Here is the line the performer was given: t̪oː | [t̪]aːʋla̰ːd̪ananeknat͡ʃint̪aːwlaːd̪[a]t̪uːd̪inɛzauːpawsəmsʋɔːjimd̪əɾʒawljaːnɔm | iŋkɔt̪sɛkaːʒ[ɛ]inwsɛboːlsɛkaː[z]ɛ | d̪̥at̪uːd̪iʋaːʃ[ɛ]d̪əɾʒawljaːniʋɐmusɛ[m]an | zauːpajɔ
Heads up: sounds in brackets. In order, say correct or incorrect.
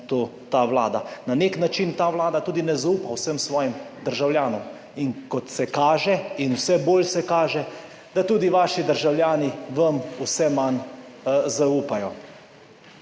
correct, correct, correct, incorrect: ʒ, incorrect: i, correct

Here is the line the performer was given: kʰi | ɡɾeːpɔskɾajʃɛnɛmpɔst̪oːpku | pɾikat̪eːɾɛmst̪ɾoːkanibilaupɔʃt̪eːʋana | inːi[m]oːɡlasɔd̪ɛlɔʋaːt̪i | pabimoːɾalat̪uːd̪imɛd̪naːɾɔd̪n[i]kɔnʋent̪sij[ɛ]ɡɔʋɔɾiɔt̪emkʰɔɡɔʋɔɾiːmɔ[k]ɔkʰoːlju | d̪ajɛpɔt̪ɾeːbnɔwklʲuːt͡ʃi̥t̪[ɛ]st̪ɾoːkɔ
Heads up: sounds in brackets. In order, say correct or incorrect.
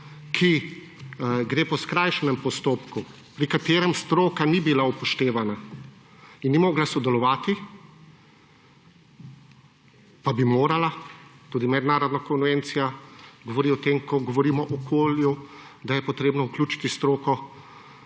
correct, incorrect: a, incorrect: a, incorrect: ʔ, incorrect: i

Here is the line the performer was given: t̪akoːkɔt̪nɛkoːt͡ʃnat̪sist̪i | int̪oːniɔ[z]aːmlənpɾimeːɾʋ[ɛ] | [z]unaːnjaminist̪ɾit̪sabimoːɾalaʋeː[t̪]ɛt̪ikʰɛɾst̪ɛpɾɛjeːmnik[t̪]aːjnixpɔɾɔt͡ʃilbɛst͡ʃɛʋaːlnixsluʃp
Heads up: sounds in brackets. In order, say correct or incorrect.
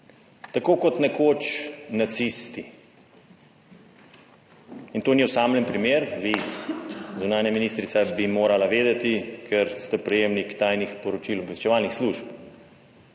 incorrect: s, incorrect: i, correct, incorrect: d̪, correct

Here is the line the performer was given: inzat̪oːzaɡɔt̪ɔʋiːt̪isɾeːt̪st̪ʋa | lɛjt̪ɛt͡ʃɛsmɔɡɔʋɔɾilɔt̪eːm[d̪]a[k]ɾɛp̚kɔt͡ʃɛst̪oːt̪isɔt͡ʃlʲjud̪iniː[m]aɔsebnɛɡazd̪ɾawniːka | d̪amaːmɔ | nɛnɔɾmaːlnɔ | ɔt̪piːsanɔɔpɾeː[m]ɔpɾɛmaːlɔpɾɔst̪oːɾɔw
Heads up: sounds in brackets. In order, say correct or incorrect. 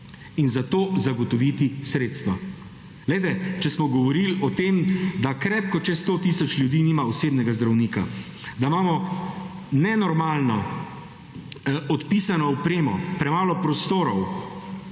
correct, correct, correct, correct

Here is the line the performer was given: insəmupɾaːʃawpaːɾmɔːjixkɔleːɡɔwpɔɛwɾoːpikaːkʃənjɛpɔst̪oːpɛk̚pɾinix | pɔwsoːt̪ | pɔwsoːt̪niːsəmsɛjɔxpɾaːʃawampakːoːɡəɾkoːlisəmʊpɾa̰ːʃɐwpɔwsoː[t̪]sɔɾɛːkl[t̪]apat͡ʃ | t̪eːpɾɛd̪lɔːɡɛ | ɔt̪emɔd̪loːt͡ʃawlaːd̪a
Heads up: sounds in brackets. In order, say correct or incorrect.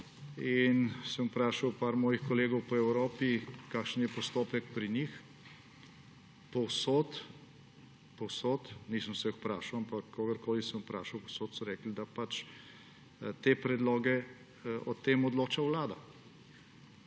correct, incorrect: d̪

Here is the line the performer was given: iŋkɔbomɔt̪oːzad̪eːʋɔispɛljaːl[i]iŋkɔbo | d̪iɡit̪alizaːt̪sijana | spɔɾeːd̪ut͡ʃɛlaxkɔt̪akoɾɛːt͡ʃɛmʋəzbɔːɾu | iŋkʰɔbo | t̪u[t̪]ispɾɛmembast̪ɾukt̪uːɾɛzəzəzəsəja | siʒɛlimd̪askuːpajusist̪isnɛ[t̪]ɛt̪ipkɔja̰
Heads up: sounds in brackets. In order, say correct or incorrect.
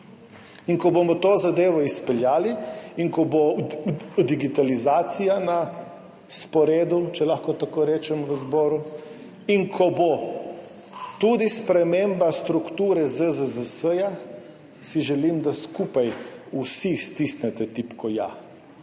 correct, incorrect: d̪, correct

